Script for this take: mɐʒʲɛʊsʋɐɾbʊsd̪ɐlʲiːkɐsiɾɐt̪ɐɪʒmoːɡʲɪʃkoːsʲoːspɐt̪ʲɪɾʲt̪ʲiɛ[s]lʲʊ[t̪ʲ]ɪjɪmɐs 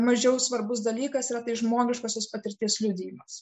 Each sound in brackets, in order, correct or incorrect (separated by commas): correct, incorrect